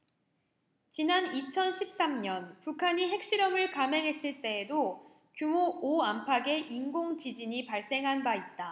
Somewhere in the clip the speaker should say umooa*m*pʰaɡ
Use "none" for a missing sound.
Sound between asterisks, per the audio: m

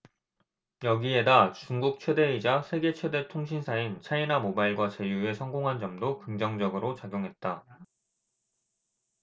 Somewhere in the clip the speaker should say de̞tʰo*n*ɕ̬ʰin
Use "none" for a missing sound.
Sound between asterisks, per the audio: ŋ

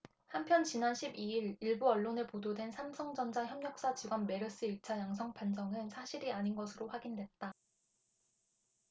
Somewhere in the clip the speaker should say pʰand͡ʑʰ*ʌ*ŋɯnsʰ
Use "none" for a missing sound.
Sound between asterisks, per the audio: ʌ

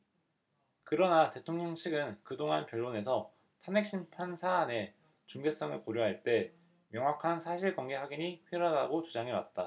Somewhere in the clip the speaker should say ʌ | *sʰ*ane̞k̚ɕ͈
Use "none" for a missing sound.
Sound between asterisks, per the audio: tʰ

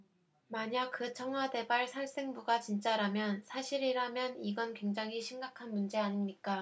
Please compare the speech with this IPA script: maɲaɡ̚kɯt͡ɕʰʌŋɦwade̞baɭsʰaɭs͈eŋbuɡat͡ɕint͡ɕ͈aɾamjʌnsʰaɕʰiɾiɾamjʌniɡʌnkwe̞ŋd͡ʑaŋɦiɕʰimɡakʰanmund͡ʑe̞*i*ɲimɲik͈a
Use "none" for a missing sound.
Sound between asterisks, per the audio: a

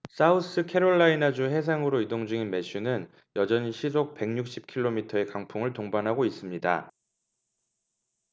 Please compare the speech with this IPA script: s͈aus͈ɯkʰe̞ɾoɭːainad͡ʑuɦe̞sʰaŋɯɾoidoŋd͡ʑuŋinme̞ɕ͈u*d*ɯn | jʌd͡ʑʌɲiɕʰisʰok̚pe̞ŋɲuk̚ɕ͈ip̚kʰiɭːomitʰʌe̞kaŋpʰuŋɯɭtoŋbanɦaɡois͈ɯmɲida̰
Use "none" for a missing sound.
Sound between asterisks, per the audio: n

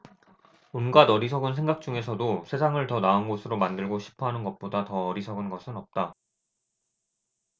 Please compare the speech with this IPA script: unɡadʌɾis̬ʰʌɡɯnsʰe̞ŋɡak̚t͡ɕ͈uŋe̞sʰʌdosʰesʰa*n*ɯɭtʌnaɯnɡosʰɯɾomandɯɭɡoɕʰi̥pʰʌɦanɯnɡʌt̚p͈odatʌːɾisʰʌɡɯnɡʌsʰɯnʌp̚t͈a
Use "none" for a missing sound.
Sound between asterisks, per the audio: ŋ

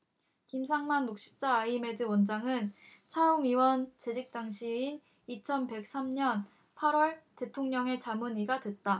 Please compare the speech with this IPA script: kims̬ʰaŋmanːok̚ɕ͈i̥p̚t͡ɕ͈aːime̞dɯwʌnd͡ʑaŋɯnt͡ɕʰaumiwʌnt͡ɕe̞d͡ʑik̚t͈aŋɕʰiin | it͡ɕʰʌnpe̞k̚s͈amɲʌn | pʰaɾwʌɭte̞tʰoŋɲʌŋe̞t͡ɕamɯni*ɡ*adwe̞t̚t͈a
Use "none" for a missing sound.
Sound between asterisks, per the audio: ɡ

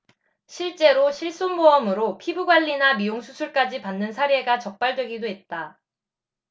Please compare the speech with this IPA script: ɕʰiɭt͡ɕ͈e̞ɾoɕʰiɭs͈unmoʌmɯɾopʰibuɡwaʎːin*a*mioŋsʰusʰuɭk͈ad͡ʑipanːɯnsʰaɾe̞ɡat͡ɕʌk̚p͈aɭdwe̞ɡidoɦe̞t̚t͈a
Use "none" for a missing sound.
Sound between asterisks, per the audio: a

